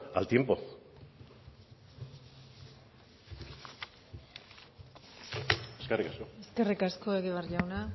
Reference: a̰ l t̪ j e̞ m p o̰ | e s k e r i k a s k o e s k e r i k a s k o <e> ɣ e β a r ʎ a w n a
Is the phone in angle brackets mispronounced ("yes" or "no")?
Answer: no